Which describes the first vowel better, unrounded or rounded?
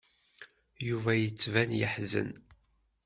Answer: rounded